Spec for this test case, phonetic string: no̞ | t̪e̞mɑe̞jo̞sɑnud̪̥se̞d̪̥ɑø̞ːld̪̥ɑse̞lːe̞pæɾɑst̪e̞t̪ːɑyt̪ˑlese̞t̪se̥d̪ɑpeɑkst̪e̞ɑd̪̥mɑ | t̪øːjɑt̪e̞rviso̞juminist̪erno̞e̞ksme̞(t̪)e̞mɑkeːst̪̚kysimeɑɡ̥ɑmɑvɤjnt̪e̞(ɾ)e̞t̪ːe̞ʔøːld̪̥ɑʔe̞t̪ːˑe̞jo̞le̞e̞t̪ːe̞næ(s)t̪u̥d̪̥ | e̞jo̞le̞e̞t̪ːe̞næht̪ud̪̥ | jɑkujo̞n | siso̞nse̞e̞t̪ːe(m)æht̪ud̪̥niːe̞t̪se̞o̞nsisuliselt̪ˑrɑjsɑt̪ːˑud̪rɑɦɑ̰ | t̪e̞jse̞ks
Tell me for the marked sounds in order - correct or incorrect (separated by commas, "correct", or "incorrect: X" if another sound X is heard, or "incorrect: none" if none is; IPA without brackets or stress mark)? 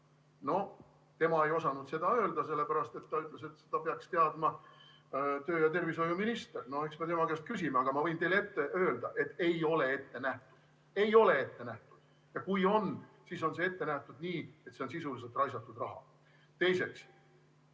correct, incorrect: l, incorrect: h, incorrect: n